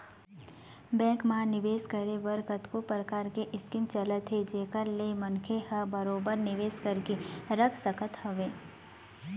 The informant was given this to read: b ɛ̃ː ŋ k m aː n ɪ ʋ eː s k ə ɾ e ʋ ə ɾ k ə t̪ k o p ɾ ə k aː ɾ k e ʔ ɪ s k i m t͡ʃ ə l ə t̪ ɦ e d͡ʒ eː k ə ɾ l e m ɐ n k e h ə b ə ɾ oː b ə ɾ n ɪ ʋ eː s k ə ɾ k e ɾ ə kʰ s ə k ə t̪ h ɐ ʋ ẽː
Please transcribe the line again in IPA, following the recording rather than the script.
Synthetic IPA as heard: b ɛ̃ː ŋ k m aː n ɪ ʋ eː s k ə ɾ e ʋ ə ɾ k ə t̪ k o p ɾ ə k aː ɾ k e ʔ ɪ s k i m t͡ʃ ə l ə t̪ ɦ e d͡ʒ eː k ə ɾ l e m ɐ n kʰ e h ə b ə ɾ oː b ə ɾ n ɪ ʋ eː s k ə ɾ k e ɾ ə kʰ s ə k ə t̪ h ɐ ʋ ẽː